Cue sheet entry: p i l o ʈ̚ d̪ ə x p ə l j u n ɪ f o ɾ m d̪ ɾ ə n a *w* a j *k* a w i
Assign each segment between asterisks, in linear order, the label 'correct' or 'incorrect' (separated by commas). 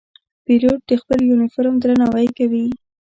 correct, correct